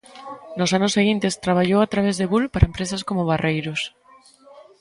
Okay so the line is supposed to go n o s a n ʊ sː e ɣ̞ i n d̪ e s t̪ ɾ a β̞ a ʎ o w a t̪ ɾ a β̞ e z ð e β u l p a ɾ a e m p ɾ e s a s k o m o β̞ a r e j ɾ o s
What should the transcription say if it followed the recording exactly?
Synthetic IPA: n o s a n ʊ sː e ɣ̞ i n t̪ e s t̪ ɾ a β̞ a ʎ o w a t̪ ɾ a β̞ e z ð e β u l p a ɾ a e m p ɾ e s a s k o m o β̞ a r e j ɾ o s